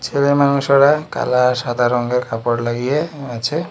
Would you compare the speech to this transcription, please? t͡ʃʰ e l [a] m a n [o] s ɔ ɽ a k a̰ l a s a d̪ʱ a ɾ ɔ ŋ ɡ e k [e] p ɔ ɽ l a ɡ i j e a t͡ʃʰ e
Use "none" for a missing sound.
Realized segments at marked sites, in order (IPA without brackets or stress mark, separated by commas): e, u, a